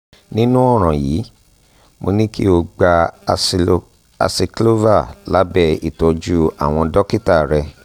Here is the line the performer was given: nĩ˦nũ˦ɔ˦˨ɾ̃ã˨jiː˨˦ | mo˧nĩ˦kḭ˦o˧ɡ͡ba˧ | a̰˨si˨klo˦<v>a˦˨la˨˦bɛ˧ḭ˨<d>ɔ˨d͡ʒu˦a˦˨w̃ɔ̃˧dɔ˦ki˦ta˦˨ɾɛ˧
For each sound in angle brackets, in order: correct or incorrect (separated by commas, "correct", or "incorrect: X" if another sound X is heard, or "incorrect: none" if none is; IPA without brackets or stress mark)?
correct, incorrect: t